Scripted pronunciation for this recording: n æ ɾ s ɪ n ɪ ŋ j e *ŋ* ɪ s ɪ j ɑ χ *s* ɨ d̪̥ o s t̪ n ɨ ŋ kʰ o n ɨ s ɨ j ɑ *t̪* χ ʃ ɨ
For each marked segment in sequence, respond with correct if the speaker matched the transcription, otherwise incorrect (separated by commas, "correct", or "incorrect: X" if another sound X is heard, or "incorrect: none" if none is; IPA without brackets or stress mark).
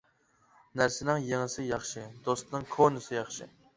correct, incorrect: ʃ, incorrect: none